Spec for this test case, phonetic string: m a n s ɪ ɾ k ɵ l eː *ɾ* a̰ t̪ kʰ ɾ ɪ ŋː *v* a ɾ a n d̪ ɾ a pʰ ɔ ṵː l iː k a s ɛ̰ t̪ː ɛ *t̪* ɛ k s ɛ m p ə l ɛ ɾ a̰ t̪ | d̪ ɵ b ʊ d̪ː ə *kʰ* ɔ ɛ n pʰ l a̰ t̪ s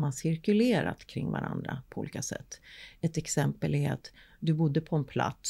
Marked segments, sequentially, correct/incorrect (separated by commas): correct, correct, correct, incorrect